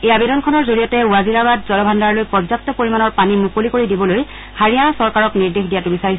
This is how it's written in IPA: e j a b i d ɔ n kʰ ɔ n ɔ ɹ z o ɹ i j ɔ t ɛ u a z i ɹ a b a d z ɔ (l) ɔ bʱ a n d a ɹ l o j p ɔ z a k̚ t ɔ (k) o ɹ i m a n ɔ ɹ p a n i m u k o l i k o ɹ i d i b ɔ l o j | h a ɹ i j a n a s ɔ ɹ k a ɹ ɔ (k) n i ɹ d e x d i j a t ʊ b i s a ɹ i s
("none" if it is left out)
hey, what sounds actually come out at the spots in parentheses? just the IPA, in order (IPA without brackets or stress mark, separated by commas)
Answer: l, p, k